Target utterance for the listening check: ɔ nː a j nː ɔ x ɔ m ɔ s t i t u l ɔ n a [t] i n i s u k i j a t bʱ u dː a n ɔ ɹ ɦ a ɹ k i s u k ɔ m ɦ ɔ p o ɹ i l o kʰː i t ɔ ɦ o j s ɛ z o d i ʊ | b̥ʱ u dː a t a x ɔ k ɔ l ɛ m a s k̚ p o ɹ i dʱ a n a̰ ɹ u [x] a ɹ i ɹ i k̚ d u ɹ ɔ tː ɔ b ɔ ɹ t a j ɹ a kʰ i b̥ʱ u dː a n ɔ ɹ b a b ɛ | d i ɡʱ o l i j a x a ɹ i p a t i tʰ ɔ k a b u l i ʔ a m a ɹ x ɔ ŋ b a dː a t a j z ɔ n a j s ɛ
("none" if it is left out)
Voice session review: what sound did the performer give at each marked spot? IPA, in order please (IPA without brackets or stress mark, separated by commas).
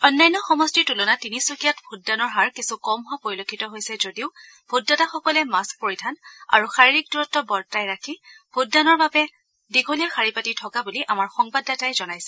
t, x